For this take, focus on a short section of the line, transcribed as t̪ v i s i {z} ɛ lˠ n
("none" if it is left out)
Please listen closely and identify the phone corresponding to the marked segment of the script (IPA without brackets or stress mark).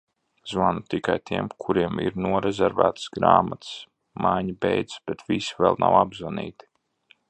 v